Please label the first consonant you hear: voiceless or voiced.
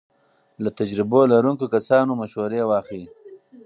voiced